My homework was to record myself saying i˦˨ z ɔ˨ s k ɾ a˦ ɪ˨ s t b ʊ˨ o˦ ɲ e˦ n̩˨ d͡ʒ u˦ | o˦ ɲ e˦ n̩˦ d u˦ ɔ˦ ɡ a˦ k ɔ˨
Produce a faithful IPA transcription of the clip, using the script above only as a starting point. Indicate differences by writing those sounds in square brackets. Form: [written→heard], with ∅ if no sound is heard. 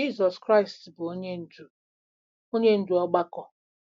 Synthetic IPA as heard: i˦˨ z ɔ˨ s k ɾ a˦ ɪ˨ s t b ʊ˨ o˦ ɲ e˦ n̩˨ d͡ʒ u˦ | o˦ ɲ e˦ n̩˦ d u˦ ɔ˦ [ɡ→ɡ͡b] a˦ k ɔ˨